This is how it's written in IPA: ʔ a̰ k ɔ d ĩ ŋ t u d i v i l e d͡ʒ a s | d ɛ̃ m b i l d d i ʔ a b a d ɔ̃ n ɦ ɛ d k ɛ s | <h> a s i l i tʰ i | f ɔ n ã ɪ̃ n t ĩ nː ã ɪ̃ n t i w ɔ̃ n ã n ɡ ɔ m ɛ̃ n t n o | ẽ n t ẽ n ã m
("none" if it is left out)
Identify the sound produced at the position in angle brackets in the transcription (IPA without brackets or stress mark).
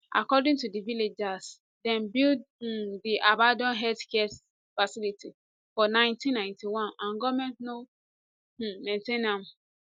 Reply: f